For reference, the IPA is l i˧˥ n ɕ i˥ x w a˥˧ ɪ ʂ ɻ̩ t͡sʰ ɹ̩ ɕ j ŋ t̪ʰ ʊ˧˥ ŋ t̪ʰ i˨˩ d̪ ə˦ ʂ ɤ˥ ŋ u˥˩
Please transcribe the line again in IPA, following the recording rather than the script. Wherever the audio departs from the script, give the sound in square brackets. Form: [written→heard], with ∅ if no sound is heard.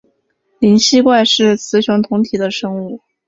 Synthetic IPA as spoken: l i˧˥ n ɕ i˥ [x→k] w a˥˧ ɪ ʂ ɻ̩ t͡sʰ ɹ̩ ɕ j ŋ t̪ʰ ʊ˧˥ ŋ t̪ʰ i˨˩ d̪ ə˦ ʂ ɤ˥ ŋ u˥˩